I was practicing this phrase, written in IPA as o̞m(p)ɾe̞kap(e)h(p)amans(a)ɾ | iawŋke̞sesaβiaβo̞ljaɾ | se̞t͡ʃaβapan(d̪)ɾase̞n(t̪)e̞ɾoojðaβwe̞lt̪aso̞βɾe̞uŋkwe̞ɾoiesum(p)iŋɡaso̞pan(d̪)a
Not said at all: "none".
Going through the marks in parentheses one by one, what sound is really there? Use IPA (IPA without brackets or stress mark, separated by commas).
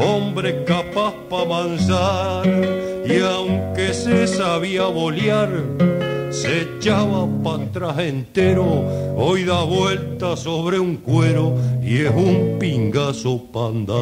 b, a, p, a, t̪, t̪, p, d̪